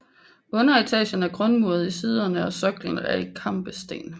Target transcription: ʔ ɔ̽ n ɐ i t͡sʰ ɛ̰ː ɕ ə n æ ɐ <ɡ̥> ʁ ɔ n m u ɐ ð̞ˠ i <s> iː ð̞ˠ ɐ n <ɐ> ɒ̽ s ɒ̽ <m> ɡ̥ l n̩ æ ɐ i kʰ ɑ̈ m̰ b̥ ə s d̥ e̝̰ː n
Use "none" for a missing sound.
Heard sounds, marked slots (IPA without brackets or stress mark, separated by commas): ɡ̥, s, ə, none